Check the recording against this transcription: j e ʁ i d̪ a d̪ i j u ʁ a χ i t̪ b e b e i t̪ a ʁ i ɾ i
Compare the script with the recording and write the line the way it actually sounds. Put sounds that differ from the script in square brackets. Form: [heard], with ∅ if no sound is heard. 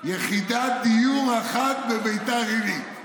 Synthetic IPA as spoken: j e [χ] i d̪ a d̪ i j u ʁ a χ [a] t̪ b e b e [j] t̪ a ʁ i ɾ i